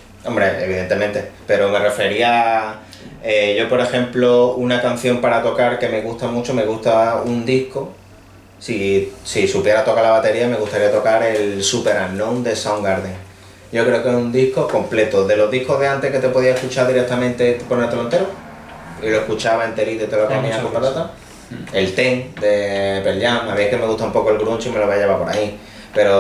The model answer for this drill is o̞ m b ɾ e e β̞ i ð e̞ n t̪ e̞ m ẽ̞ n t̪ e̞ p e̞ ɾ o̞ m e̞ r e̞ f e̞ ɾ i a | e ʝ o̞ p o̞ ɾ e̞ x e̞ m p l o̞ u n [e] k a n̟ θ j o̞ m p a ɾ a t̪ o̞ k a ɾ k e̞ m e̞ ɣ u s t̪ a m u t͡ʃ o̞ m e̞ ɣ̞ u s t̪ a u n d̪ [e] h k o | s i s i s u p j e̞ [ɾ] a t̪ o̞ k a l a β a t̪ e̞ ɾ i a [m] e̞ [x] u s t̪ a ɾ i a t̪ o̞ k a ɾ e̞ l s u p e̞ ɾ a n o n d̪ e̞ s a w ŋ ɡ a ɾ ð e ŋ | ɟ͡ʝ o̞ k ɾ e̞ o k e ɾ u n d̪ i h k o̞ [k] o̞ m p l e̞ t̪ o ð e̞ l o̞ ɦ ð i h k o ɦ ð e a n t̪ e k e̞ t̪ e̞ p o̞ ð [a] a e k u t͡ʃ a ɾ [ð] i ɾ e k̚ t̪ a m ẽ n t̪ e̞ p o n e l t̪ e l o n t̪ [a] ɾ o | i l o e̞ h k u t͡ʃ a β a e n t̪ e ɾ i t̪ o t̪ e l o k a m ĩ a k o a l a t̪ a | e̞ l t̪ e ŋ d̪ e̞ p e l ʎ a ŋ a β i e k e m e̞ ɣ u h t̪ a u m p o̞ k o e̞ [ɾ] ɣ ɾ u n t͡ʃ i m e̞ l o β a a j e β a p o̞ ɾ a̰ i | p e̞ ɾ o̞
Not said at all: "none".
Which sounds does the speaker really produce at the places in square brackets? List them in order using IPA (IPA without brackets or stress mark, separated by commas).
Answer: a, i, ɾ, m, ɣ, k, i, ð, e, l